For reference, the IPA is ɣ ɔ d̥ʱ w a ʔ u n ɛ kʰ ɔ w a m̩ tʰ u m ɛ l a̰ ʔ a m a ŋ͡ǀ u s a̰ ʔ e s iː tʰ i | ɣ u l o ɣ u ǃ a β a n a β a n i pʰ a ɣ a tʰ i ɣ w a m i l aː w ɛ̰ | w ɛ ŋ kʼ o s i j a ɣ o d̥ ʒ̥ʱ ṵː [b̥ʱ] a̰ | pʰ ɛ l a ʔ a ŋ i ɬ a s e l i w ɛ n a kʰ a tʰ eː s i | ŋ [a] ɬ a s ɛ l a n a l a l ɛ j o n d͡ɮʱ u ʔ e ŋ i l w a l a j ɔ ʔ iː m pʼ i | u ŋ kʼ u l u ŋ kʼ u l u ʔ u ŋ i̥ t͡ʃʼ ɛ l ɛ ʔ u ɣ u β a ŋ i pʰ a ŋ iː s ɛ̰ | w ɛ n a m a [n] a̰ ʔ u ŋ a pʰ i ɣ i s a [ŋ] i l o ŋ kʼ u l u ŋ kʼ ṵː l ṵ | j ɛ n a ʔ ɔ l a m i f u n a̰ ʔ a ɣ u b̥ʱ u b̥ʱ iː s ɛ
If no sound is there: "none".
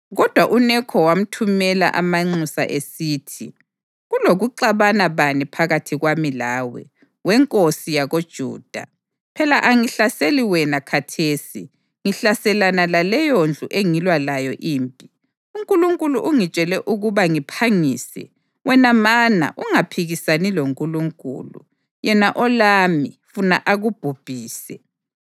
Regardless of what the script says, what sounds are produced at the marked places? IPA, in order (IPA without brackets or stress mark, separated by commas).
d̥ʱ, i, n, n